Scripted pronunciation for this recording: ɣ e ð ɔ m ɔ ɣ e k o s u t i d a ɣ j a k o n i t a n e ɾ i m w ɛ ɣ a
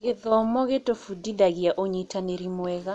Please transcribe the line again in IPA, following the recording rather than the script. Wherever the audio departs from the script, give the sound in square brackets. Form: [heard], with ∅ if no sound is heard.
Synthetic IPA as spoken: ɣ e ð ɔ m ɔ ɣ e [t] o [f] u [d] i d a ɣ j a [ʔ] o [ɲ] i t a n e ɾ i m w ɛ ɣ a